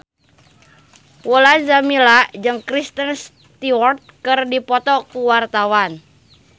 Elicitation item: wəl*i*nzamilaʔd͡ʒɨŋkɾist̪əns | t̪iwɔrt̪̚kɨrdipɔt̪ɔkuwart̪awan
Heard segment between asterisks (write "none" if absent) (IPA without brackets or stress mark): a